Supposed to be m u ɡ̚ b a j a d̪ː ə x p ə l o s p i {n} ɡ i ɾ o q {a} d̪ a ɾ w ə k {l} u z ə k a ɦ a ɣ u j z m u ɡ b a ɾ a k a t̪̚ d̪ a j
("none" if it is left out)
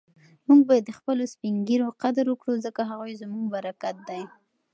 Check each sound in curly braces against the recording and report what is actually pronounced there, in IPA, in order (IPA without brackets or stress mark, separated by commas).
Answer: ŋ, a, ɽ